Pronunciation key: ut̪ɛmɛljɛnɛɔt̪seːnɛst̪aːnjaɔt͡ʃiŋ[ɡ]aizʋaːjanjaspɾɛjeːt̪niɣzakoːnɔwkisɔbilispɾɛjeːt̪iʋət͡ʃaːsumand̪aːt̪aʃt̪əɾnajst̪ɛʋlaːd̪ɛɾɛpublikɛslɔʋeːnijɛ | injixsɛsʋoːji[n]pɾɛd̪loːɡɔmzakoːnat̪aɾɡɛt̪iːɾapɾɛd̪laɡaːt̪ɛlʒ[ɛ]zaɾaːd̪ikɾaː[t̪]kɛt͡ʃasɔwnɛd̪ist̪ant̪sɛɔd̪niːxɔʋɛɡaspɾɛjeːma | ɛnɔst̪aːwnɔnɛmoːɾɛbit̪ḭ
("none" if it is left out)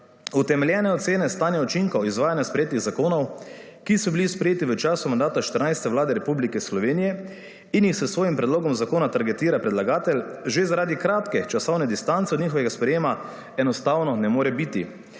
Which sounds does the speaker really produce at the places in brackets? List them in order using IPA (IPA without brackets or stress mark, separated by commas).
k, m, e, t̪